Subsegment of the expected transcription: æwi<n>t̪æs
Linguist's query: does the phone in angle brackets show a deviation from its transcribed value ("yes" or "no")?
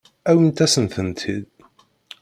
no